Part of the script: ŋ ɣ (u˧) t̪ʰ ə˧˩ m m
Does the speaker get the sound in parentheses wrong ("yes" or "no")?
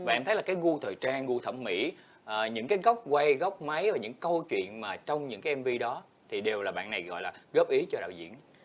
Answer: no